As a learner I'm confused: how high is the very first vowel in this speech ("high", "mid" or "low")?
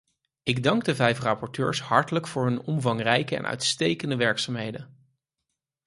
high